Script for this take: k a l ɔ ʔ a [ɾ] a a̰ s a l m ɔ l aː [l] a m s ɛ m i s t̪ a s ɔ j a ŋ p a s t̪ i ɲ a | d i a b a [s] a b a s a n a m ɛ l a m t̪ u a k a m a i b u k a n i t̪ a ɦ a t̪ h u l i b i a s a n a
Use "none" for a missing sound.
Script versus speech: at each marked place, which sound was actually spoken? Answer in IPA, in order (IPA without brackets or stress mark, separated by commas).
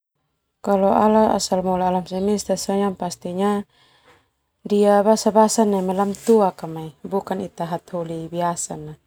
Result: l, l, s